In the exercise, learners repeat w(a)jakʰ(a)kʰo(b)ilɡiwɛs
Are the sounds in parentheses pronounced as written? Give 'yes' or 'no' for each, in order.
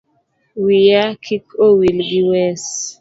no, no, no

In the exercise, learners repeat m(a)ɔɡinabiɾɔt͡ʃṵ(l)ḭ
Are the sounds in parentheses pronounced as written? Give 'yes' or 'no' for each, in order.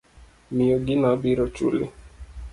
no, yes

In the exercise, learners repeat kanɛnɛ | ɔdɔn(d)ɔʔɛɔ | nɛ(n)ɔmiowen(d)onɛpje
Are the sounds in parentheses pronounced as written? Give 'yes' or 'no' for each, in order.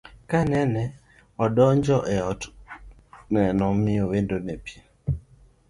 no, yes, yes

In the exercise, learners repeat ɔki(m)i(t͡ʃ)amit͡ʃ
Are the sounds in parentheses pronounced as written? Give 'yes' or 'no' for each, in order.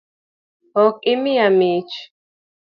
yes, no

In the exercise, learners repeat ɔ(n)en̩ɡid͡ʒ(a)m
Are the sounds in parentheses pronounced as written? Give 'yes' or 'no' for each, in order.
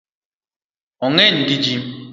no, no

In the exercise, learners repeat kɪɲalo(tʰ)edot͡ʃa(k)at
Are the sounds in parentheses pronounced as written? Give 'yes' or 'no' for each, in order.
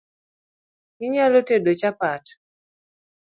no, no

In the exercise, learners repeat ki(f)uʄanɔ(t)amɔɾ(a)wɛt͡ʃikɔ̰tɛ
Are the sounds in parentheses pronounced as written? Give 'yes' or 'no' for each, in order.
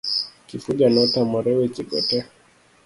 yes, yes, no

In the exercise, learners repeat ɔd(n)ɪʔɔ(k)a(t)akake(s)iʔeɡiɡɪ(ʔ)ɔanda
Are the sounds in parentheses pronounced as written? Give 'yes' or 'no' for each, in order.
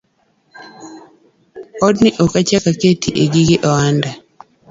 yes, yes, no, no, yes

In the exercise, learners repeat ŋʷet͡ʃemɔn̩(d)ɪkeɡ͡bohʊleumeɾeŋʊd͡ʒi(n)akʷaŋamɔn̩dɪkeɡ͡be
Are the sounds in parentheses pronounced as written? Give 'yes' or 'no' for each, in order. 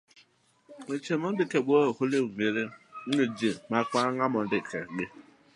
yes, no

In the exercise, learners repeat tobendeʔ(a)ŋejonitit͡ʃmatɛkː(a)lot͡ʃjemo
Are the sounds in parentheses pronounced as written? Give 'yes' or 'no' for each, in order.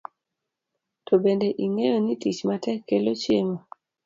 no, no

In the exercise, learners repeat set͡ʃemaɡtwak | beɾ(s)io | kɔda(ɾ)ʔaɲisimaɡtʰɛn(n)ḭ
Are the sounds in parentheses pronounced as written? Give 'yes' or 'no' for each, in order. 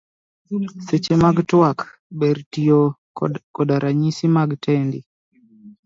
no, yes, no

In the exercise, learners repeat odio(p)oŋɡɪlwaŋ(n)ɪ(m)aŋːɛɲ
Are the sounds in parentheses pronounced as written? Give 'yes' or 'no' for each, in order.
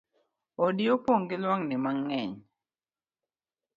yes, yes, yes

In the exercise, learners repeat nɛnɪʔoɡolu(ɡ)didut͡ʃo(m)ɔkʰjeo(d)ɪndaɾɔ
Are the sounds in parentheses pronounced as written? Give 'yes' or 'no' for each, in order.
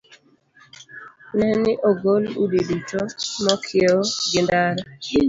no, yes, no

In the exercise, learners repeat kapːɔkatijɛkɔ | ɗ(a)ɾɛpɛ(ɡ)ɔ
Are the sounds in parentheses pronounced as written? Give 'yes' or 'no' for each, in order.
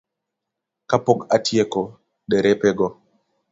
no, yes

